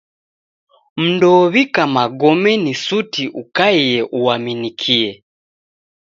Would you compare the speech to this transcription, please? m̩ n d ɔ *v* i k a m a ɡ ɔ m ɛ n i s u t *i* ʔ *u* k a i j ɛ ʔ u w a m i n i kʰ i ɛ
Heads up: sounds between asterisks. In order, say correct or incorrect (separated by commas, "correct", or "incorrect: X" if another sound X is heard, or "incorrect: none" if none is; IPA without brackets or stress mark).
incorrect: β, correct, correct